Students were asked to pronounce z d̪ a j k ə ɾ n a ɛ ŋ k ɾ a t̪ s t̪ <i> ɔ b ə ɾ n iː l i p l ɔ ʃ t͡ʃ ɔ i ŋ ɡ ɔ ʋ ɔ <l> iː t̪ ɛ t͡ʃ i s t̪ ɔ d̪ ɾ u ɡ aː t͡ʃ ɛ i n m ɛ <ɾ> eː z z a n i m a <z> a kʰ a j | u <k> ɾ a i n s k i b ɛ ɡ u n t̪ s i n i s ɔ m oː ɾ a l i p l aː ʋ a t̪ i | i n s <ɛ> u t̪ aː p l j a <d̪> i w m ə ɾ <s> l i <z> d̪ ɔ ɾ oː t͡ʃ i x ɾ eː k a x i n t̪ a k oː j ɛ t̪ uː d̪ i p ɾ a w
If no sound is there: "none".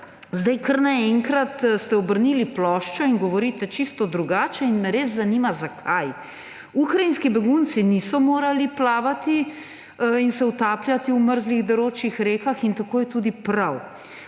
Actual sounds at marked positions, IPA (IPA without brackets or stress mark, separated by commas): ɛ, ɾ, ɾ, z, k, ɛ, t̪, z, ɣ